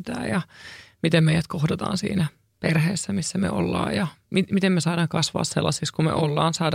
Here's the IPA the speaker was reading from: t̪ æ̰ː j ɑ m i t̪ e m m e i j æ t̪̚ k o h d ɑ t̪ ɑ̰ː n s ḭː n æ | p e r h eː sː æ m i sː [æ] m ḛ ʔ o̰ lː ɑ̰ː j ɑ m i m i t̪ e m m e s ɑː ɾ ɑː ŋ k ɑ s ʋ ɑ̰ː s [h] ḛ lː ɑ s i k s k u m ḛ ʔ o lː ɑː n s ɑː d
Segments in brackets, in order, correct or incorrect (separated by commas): correct, incorrect